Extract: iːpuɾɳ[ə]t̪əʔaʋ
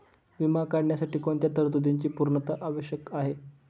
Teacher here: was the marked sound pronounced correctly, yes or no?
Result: yes